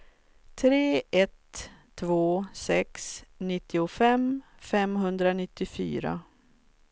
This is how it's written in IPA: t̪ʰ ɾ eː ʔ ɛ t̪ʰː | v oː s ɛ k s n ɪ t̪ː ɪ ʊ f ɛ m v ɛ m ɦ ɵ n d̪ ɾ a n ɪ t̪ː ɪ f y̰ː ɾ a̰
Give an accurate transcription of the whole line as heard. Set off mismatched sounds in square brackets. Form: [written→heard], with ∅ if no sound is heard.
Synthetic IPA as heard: t̪ʰ ɾ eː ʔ ɛ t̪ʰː | v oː s ɛ k s n ɪ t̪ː ɪ ʊ f ɛ m [v→f] ɛ m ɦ ɵ n d̪ ɾ a n ɪ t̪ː ɪ f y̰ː ɾ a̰